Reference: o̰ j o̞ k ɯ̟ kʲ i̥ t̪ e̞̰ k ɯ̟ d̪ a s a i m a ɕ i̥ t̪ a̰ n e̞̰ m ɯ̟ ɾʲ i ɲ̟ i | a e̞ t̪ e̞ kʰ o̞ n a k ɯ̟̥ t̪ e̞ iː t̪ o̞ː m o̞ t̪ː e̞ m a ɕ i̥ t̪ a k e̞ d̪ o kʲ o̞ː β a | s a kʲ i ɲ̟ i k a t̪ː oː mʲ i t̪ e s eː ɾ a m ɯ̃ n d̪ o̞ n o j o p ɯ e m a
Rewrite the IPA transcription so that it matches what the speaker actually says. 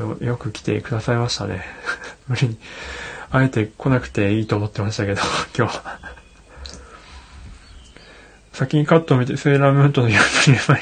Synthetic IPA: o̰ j o̞ k ɯ̟ kʲ i̥ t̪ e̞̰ k ɯ̟ d̪ a s a i m a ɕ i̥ t̪ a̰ n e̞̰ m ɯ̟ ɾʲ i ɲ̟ i | a e̞ t̪ e̞ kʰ o̞ n a k ɯ̟̥ t̪ e̞ iː t̪ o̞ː m o̞ t̪ː e̞ m a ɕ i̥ t̪ a k e̞ d̪ o kʲ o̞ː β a | s a kʲ i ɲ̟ i k a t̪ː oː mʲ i t̪ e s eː ɾ a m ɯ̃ n t̪ o̞ n o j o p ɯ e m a